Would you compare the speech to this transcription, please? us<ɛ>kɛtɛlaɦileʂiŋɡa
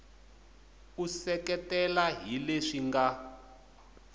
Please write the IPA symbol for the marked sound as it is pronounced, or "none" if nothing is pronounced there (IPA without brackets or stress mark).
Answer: ɛ